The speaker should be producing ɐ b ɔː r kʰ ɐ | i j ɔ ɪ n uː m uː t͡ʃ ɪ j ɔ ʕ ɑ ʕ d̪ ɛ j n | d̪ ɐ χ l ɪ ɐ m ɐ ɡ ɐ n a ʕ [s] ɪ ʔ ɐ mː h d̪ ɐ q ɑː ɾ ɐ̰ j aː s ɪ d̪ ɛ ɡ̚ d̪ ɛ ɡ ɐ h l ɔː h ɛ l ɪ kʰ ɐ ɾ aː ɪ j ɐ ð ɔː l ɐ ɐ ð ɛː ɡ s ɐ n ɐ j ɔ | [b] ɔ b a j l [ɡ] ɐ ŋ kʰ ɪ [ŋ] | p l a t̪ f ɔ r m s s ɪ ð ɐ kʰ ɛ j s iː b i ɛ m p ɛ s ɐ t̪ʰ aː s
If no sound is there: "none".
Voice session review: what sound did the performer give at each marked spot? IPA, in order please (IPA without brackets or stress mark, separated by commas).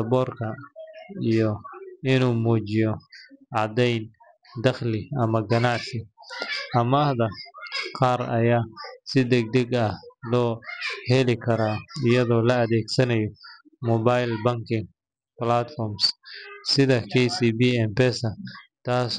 s, m, b, ŋ